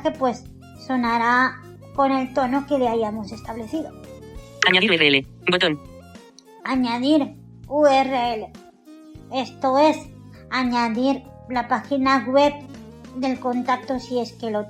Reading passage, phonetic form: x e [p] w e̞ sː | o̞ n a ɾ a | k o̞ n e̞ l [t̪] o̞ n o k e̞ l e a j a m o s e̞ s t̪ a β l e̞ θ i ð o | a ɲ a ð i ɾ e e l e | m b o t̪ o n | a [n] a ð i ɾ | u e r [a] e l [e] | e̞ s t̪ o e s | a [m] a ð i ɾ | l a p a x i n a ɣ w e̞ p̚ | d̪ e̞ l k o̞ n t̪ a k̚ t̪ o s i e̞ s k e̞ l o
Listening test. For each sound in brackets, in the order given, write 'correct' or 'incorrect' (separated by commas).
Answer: correct, correct, incorrect, incorrect, correct, incorrect